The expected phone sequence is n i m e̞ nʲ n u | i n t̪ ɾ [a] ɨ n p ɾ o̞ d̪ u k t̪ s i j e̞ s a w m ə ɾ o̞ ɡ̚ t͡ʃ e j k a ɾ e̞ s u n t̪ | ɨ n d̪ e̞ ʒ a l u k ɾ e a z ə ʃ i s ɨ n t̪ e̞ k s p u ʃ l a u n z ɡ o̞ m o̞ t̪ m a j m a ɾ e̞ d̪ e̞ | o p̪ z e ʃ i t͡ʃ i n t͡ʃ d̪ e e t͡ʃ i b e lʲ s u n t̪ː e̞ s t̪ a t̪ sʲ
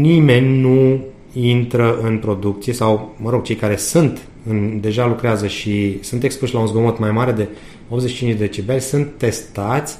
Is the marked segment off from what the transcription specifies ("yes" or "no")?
yes